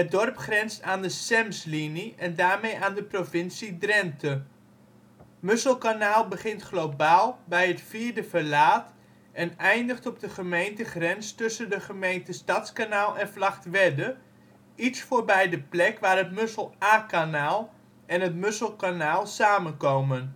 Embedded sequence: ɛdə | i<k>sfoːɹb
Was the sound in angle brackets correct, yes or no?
no